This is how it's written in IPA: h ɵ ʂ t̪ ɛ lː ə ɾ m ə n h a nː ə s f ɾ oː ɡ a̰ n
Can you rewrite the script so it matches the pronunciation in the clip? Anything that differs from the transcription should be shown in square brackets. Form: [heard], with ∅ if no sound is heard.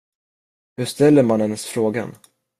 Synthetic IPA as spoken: h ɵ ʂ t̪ ɛ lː ə ɾ m [a] n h [ɛ] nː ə s f ɾ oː ɡ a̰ n

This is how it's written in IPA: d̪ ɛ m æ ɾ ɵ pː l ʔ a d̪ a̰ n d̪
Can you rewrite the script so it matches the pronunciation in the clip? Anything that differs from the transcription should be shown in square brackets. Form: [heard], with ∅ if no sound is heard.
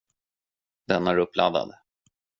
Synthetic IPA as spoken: d̪ ɛ [n] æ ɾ ɵ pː l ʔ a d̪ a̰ [∅] d̪

